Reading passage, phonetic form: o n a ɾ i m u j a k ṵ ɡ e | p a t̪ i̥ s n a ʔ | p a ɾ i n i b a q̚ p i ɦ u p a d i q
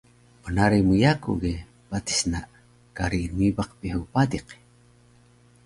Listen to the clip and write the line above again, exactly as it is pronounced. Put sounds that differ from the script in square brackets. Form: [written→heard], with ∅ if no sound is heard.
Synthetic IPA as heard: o n a ɾ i m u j a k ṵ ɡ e | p a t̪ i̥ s n a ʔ | [p→k] a ɾ i n i b a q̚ p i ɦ u p a d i q